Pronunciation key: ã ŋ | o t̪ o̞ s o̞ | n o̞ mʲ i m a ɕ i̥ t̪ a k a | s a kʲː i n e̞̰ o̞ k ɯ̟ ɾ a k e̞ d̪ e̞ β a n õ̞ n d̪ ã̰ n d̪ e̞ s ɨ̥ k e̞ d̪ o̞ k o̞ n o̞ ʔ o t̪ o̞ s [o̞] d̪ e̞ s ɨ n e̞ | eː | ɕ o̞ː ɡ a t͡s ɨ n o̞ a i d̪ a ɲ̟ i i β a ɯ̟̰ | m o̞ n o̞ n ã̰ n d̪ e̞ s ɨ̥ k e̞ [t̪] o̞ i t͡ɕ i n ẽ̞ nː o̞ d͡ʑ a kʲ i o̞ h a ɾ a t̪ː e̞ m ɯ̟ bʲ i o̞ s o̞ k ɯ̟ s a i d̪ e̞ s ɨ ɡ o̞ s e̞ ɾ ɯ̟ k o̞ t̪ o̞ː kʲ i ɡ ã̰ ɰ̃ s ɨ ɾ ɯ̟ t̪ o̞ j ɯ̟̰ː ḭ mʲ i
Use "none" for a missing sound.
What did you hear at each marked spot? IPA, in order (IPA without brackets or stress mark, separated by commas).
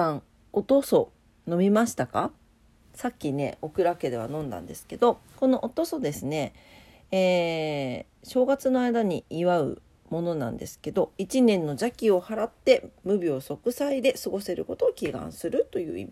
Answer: o̞, d̪